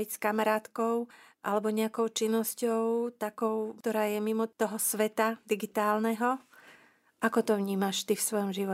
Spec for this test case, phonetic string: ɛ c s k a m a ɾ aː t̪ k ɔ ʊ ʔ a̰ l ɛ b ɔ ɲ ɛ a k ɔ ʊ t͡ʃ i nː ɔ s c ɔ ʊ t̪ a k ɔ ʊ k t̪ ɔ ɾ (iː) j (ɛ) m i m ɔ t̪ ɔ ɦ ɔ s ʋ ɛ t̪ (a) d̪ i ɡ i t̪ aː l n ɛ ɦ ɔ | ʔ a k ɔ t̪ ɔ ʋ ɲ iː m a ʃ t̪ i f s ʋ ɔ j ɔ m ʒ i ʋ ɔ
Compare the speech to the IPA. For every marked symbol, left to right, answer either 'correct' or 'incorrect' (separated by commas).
incorrect, correct, correct